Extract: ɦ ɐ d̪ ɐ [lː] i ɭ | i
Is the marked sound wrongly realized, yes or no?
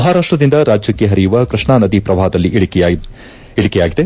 no